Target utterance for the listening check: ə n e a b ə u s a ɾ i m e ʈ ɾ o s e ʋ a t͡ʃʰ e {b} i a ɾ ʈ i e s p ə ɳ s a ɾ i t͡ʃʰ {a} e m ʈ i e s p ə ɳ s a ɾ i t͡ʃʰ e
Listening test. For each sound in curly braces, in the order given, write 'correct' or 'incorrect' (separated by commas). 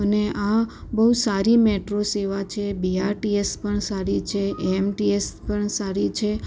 correct, incorrect